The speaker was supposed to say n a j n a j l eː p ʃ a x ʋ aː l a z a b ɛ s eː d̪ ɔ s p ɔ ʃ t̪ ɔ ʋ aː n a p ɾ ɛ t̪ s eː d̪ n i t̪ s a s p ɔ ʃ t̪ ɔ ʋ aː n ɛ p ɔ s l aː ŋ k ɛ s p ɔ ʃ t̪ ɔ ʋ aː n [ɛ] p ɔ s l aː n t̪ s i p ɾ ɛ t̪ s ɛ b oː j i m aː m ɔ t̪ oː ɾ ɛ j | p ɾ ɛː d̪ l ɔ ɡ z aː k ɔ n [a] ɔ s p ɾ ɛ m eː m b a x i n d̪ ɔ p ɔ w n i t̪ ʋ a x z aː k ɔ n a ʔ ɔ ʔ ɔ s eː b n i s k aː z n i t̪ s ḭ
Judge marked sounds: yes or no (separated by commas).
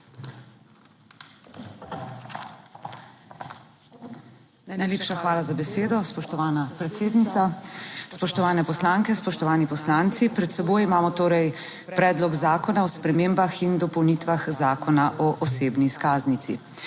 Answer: no, yes